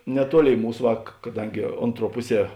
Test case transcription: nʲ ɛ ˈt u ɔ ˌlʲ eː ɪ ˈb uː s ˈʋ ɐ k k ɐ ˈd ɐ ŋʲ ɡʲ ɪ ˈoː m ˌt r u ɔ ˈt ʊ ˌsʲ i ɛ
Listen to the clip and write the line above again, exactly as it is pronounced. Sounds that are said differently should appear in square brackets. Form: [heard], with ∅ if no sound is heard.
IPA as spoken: nʲ ɛ ˈt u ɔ ˌlʲ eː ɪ [ˈm] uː s ˈʋ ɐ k k ɐ ˈd ɐ ŋʲ ɡʲ ɪ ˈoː [n] ˌt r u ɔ [ˈp] ʊ ˌsʲ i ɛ